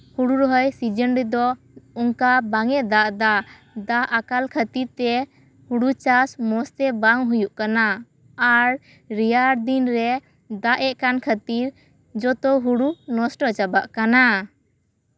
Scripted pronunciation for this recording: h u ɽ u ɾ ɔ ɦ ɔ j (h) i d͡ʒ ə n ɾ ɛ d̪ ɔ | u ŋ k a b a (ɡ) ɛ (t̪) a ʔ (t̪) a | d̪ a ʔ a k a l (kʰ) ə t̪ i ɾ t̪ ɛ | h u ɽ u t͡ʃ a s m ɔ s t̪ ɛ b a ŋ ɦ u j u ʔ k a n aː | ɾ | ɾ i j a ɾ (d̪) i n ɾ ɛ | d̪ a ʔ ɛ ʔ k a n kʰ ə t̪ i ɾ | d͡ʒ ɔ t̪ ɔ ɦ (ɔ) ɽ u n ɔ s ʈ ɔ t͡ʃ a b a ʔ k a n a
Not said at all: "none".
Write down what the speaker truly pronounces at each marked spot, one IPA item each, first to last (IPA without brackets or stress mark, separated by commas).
s, ŋ, d̪, d̪, kʰ, d̪, u